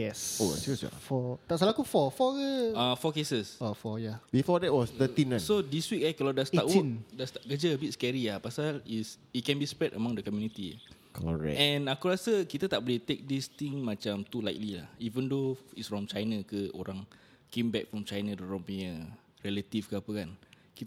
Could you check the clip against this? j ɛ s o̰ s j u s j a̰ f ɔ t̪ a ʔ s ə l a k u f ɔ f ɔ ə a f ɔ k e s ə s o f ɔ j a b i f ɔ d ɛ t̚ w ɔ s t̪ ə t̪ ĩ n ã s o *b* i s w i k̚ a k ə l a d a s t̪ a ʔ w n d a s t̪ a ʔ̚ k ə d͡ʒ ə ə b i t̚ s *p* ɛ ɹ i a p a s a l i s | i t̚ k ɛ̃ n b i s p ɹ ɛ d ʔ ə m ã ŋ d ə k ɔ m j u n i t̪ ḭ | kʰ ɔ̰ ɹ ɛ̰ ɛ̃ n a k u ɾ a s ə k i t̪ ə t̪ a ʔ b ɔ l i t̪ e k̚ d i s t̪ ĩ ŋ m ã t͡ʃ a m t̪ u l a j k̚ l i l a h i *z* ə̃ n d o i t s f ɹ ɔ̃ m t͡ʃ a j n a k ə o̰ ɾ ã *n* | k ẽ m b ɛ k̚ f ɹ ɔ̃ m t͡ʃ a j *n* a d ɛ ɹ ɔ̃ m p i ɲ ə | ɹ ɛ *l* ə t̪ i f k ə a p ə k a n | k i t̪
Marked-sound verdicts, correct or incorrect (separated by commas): incorrect, incorrect, incorrect, incorrect, correct, correct